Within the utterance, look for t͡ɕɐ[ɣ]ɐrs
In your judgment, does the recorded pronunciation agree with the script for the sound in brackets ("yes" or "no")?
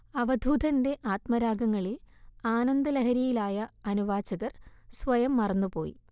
yes